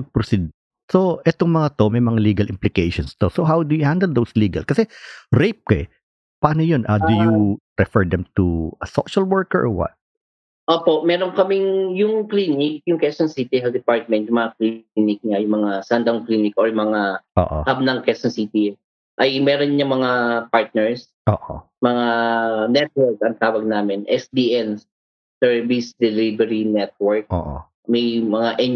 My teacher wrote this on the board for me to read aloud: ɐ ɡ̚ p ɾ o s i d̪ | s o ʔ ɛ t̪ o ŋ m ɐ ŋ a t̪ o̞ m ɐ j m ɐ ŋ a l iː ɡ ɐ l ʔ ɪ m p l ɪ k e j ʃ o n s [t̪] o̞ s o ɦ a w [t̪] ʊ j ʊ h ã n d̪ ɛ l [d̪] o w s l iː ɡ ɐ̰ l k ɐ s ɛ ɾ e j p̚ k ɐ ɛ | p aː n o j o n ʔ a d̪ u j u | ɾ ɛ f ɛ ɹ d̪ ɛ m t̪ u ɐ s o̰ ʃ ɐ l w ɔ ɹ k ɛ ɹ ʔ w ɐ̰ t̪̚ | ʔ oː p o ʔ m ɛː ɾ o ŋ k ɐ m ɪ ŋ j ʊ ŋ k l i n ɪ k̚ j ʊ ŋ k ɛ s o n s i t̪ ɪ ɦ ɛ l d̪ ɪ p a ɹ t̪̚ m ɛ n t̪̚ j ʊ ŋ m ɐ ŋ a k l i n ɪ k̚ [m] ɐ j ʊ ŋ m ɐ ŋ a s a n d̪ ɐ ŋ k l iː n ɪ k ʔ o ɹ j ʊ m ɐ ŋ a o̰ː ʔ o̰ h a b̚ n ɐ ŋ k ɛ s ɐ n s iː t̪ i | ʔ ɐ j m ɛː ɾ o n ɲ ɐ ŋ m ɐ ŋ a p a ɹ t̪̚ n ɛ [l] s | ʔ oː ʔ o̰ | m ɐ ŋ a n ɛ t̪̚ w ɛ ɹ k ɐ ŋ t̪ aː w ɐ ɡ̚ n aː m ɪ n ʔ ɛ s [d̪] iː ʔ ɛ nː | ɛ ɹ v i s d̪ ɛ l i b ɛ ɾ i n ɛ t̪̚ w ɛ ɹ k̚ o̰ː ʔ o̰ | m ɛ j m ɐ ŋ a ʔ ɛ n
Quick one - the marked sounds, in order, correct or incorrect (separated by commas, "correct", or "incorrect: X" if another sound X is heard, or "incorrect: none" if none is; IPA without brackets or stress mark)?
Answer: correct, incorrect: d̪, correct, incorrect: ɲ, incorrect: ɹ, correct